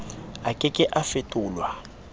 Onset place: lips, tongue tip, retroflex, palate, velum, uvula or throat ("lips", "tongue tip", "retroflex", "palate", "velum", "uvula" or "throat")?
velum